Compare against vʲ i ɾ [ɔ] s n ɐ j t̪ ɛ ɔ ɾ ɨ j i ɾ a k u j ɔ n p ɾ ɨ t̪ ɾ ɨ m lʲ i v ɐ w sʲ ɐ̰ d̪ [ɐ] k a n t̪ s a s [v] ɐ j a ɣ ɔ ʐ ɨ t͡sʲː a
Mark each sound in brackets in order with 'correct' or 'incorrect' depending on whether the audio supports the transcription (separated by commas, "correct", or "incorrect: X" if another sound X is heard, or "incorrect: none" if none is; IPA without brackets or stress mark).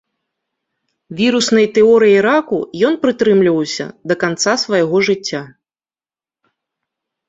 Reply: incorrect: u, correct, correct